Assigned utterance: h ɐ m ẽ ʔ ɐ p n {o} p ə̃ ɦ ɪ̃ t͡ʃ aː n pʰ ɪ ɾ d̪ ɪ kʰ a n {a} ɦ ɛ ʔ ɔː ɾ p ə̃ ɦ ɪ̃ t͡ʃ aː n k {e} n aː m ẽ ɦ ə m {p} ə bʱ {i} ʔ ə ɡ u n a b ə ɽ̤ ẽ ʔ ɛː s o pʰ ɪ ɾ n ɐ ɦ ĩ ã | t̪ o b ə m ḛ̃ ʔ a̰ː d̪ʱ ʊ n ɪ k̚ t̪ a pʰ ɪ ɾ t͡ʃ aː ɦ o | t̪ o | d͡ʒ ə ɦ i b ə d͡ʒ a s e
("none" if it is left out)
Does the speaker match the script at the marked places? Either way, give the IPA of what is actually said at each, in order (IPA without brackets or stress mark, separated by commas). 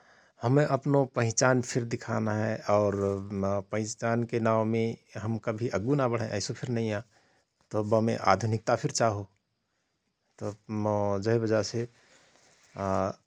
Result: o, a, e, k, i